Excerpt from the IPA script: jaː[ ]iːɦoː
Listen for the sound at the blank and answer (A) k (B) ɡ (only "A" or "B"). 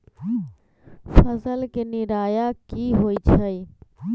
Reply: A